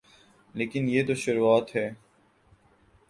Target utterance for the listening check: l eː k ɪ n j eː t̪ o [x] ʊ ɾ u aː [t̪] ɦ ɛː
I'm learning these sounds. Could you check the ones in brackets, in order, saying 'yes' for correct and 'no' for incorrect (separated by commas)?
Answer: no, yes